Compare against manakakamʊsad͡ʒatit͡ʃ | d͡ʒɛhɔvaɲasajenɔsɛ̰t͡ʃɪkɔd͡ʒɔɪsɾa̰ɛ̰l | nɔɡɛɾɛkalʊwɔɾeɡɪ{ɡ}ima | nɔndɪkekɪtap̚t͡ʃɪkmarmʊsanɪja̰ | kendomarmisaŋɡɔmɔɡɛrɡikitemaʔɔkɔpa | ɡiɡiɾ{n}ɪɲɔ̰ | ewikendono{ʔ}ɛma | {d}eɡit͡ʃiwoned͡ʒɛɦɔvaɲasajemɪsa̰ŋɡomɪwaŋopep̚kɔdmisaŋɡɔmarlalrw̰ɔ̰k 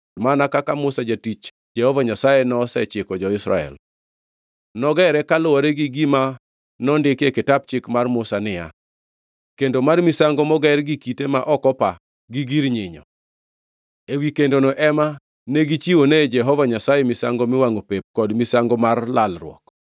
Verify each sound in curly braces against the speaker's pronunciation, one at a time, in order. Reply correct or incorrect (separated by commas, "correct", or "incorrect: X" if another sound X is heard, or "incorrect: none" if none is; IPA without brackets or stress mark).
correct, incorrect: ɲ, correct, incorrect: n